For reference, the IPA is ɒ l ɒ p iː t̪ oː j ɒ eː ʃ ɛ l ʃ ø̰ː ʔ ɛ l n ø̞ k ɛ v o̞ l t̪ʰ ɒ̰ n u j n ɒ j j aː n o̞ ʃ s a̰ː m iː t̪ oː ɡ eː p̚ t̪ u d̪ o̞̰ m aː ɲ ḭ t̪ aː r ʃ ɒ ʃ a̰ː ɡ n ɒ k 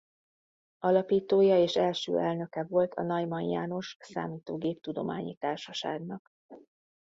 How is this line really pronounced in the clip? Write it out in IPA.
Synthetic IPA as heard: ɒ l ɒ p iː t̪ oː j ɒ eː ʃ ɛ l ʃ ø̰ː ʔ ɛ l n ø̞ k ɛ v o̞ l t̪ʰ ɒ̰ n ɒ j m ɒ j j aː n o̞ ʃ s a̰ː m iː t̪ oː ɡ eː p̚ t̪ u d̪ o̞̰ m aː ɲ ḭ t̪ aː r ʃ ɒ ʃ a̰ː ɡ n ɒ k